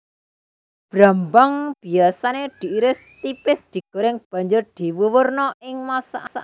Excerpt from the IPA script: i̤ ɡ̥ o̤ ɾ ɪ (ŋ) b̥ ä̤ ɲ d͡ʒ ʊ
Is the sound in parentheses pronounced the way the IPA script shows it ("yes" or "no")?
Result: yes